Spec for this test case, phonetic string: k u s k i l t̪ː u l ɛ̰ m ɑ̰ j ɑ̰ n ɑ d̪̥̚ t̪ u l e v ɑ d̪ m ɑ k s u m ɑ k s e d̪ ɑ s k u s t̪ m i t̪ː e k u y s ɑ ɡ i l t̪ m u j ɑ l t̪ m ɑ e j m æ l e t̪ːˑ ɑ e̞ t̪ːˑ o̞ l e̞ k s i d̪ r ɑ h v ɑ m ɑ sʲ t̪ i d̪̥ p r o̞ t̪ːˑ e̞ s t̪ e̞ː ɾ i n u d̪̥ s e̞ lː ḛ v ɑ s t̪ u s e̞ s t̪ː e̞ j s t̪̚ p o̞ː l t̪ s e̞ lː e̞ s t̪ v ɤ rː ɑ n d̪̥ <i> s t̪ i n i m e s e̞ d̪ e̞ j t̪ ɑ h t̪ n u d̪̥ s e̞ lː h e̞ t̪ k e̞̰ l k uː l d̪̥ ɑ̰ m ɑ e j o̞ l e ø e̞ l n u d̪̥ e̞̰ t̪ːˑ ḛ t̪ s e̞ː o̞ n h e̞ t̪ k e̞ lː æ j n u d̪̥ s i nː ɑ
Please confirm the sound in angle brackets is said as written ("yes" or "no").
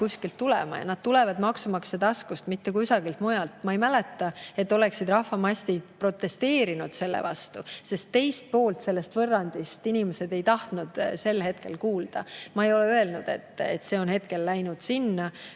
yes